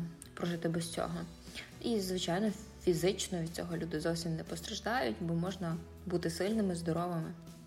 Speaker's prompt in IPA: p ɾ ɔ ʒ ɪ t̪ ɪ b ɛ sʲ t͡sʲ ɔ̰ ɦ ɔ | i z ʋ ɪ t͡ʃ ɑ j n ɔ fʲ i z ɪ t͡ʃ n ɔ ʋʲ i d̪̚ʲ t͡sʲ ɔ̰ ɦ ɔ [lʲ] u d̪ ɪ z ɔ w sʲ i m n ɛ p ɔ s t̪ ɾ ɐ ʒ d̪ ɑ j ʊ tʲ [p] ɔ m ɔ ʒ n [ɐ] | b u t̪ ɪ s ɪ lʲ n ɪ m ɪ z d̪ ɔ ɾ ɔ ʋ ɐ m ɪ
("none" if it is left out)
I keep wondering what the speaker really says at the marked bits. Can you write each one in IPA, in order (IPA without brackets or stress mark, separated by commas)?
lʲ, b, ɐ